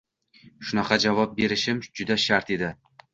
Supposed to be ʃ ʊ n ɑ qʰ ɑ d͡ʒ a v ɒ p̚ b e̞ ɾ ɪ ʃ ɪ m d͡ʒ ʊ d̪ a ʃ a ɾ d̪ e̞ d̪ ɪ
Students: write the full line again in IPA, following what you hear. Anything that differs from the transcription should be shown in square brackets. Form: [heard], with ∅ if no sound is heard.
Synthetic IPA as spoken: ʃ ʊ n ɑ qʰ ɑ d͡ʒ a v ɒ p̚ b e̞ ɾ ɪ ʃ ɪ m d͡ʒ ʊ d̪ a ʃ a ɾ [t̪] e̞ d̪ ɪ